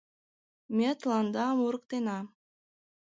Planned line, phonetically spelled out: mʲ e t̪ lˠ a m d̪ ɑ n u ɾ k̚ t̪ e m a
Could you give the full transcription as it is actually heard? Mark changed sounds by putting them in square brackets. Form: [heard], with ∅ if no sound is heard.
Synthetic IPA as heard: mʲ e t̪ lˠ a [n] d̪ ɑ [m] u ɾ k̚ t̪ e [n] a